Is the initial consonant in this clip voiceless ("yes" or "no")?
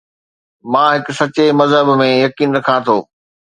no